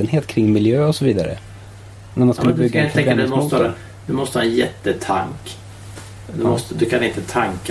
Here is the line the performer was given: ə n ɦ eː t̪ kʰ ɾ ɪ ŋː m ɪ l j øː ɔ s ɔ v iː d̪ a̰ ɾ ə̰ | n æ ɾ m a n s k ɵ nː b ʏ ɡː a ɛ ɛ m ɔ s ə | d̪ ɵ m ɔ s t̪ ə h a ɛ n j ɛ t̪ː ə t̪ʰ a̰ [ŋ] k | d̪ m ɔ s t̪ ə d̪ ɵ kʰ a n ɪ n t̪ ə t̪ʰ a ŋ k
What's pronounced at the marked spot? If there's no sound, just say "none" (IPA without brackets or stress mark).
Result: ŋ